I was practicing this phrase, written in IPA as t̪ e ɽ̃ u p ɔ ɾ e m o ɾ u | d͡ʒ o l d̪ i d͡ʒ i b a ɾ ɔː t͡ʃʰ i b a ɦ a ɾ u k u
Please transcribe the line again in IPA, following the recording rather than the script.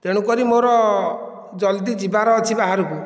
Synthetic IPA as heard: t̪ e ɽ̃ u k ɔ ɾ i m o ɾ ɔ | d͡ʒ ɔ l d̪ i d͡ʒ i b a ɾ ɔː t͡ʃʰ i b a ɦ a ɾ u k u